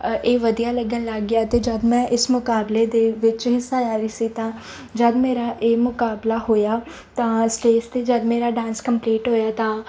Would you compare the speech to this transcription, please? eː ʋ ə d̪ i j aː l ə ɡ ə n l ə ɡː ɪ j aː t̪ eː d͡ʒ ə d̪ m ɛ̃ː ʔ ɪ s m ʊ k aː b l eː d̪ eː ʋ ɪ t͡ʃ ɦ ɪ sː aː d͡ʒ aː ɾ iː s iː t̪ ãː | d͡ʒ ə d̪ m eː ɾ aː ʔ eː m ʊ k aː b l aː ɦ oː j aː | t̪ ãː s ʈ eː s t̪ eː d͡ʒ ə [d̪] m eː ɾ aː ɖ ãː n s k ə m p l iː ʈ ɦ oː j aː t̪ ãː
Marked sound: correct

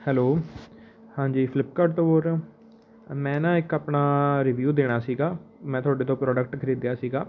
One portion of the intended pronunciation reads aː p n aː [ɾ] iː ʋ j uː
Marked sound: correct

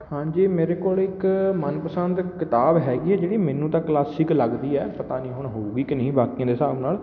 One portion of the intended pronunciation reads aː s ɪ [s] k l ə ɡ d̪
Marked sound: incorrect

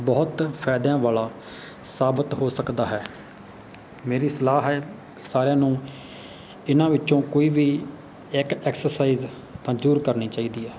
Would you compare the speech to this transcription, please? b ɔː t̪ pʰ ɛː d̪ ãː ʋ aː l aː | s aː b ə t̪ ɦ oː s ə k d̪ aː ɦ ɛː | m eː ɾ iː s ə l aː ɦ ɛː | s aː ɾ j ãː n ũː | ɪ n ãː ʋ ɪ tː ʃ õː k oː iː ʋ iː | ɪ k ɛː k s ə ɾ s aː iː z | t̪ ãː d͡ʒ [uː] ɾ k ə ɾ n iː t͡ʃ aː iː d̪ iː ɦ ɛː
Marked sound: correct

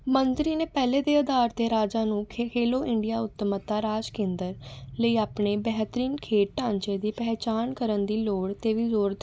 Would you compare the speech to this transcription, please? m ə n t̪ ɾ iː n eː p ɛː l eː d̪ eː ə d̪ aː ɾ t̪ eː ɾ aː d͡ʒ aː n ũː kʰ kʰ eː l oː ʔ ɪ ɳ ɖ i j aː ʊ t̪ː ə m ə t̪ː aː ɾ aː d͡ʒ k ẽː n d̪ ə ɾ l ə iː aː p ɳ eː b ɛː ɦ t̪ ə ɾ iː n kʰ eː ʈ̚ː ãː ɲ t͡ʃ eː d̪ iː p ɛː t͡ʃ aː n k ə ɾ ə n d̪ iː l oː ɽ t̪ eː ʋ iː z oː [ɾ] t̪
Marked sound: correct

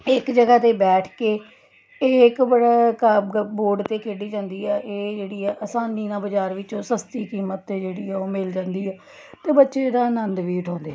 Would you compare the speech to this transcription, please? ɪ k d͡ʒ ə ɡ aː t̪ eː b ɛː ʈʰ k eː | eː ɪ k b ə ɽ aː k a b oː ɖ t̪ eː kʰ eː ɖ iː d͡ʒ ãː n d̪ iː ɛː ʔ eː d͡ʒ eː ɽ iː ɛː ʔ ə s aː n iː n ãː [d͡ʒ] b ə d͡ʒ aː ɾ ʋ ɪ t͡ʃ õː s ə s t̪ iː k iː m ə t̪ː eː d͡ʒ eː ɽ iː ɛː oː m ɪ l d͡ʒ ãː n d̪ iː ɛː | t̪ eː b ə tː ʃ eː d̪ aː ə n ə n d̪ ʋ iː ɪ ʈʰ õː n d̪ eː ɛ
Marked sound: incorrect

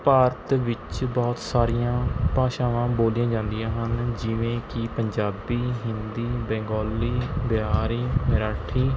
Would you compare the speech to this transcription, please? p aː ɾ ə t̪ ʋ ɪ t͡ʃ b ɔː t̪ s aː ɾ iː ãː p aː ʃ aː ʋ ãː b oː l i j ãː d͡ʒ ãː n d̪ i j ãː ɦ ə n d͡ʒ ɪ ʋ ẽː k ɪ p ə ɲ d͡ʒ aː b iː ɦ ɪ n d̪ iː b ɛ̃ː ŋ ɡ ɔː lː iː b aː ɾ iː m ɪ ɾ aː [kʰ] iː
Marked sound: incorrect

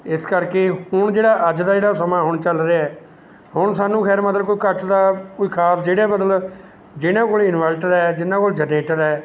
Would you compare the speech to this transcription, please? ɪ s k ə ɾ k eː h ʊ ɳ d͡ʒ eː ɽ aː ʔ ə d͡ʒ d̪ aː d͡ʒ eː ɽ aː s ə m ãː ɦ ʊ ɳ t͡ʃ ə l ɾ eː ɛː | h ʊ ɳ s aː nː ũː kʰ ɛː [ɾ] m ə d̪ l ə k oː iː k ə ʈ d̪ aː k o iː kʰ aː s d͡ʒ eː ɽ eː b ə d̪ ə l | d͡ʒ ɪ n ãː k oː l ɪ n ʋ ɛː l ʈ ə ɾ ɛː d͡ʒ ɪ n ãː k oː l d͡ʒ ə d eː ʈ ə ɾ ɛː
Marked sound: correct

